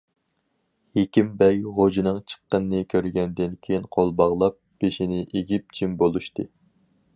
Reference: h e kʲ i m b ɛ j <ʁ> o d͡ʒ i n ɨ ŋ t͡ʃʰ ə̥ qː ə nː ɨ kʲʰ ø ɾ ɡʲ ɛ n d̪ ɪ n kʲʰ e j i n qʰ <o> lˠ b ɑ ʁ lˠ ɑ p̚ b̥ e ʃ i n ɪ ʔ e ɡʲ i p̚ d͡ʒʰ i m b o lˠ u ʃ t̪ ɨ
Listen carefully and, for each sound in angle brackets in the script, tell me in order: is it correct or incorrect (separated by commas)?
correct, correct